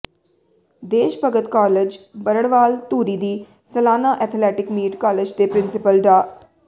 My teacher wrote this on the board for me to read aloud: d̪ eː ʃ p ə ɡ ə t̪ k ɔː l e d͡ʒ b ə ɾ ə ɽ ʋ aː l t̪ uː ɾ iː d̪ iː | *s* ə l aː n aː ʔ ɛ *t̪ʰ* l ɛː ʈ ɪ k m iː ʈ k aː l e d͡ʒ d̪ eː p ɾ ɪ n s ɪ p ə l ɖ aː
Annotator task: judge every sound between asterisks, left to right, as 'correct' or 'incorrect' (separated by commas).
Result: correct, correct